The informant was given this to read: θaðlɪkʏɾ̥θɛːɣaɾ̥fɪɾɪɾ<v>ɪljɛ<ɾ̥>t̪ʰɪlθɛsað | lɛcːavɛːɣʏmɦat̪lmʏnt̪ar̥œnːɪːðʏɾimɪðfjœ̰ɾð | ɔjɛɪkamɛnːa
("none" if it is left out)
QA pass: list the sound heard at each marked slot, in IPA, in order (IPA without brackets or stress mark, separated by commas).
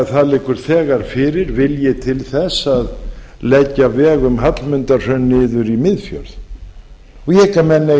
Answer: v, none